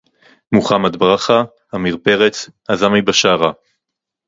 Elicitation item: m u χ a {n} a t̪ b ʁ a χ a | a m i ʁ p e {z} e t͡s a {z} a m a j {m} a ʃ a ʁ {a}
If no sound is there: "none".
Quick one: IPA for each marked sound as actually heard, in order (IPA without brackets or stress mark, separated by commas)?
m, ʁ, z, b, a